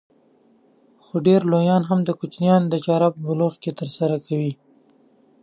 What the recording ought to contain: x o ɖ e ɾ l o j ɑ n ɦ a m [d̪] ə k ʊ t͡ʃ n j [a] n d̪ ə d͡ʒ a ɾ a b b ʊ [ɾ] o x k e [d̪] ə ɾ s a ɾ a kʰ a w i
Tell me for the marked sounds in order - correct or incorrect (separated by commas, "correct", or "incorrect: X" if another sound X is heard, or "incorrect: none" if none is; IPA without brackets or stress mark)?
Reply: correct, incorrect: ɑ, incorrect: l, incorrect: t̪